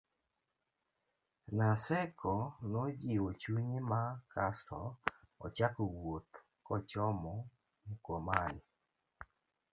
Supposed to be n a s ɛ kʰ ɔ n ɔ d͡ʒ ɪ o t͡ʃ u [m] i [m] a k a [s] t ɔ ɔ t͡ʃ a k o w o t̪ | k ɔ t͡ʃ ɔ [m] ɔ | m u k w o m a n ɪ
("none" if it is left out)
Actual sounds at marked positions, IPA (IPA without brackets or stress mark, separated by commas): ɲ, m, s, m